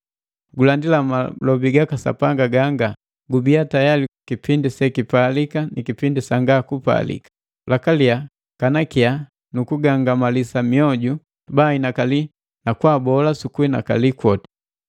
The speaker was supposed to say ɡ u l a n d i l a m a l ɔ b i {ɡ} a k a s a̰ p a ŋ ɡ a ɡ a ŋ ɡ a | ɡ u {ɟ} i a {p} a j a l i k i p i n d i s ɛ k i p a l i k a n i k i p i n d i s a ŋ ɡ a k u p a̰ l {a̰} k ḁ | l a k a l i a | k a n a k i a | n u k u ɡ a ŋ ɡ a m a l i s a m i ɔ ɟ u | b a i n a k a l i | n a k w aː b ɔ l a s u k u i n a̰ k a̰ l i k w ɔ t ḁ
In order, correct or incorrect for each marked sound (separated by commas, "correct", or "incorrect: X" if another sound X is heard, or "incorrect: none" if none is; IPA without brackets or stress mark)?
correct, incorrect: b, incorrect: t, incorrect: ḭ